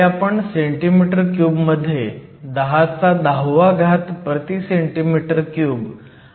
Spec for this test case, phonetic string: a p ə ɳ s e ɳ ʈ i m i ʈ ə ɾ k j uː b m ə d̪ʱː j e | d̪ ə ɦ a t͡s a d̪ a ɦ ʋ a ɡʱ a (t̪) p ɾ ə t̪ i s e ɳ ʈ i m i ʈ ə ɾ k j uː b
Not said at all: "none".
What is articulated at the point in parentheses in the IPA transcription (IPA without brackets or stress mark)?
t̪